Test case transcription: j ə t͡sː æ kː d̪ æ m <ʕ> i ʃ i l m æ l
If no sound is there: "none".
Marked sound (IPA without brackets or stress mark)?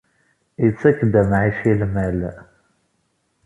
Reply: ʕ